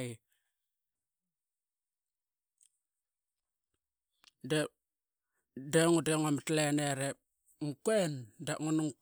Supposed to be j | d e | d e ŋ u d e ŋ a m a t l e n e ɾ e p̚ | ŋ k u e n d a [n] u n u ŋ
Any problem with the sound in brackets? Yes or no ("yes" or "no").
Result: yes